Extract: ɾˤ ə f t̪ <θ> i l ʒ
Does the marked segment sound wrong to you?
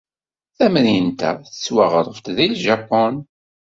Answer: yes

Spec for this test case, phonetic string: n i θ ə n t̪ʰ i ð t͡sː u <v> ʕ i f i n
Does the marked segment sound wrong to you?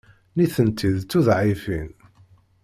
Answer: yes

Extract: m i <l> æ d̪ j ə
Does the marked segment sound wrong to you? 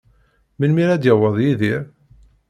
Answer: yes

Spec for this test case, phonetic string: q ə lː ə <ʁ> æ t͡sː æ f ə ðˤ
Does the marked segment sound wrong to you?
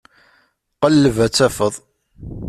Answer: yes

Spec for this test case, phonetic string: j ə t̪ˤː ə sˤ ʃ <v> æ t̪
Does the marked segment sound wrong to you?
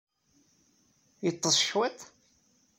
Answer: yes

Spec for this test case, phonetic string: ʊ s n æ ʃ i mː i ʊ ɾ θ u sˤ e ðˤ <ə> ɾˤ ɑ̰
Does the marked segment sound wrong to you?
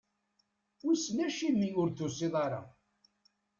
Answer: yes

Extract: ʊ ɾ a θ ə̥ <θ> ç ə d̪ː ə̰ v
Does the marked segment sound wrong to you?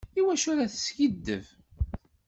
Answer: yes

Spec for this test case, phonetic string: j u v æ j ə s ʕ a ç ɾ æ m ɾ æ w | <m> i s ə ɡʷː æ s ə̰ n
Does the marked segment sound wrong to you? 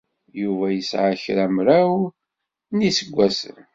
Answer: yes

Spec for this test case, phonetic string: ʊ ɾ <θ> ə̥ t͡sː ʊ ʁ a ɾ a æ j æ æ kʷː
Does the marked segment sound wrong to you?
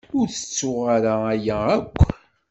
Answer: no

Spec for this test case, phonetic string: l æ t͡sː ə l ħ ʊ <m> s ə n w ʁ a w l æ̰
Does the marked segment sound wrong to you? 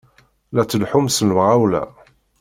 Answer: no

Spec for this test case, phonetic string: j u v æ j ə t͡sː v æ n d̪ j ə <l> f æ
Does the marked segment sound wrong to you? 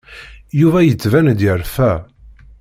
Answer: yes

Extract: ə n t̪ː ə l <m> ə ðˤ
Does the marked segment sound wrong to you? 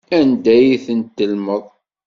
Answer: no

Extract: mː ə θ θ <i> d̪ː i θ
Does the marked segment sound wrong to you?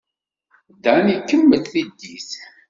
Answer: no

